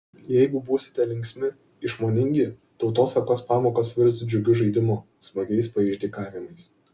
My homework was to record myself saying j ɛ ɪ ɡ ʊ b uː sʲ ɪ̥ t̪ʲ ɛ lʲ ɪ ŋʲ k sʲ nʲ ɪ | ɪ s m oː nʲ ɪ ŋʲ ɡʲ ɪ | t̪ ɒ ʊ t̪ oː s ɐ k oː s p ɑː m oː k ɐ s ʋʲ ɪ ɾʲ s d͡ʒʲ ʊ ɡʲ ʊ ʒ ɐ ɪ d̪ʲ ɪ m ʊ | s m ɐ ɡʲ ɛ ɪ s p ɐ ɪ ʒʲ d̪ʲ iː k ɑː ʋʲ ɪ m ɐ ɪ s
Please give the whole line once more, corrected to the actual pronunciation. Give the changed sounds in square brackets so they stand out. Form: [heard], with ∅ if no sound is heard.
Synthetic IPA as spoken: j ɛ ɪ ɡ ʊ b uː sʲ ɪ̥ t̪ʲ ɛ lʲ ɪ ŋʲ k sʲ [mʲ] ɪ | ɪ [ʃ] m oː nʲ ɪ ŋʲ ɡʲ ɪ | t̪ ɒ ʊ t̪ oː s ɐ k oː s p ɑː m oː k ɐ s ʋʲ ɪ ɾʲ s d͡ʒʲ ʊ ɡʲ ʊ ʒ ɐ ɪ d̪ʲ ɪ m ʊ | s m ɐ ɡʲ ɛ ɪ s p ɐ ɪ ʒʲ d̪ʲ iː k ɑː ʋʲ ɪ m ɐ ɪ s